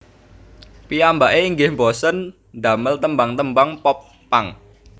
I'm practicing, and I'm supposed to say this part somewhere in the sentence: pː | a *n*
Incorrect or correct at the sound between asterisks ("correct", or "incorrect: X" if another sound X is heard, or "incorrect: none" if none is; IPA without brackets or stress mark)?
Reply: incorrect: ŋ